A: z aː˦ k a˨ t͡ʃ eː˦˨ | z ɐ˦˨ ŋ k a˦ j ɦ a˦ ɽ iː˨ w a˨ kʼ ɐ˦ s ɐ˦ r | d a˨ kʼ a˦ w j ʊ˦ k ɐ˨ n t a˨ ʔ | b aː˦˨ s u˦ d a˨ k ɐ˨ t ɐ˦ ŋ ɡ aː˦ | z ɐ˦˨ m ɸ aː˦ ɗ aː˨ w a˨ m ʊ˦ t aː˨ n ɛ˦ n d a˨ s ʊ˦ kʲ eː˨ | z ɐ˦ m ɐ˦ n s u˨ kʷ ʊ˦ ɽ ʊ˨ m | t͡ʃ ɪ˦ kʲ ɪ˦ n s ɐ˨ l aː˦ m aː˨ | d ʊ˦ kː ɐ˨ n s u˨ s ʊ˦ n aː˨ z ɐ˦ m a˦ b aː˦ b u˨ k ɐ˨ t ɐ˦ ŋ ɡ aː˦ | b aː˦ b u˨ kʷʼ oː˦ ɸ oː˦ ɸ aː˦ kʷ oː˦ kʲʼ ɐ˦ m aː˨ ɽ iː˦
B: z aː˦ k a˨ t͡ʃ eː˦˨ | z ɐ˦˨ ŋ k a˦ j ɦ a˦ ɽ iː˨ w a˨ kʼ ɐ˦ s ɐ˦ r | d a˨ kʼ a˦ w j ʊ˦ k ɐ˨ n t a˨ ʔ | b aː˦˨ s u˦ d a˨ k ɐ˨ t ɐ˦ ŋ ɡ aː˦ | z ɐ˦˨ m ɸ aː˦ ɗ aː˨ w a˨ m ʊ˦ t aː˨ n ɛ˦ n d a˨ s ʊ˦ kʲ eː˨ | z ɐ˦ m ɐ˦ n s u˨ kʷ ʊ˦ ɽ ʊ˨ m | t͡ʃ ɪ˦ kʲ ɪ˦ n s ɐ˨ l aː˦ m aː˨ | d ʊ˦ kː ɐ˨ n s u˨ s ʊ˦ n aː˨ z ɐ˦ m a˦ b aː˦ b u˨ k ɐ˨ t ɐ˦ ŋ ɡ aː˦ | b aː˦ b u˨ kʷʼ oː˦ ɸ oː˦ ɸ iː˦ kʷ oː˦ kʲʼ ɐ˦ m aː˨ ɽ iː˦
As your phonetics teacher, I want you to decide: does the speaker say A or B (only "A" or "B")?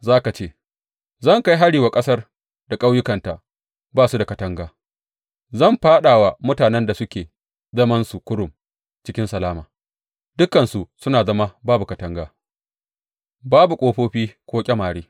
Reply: B